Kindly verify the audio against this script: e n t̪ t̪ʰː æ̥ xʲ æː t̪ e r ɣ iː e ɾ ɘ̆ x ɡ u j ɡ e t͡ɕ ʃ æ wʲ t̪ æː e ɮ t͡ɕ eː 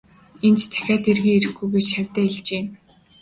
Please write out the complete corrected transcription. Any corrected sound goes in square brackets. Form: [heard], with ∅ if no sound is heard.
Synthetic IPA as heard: e n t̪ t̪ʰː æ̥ xʲ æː t̪ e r ɣ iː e ɾ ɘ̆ x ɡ u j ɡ e t͡ɕ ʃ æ wʲ t̪ æː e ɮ t͡ɕ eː